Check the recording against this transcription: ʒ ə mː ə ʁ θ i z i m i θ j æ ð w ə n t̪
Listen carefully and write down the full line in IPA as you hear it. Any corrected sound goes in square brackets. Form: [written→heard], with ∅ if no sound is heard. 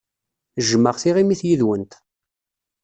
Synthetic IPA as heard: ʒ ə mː ə ʁ θ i [z→ʁ] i m i θ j [æ→i] ð w ə n t̪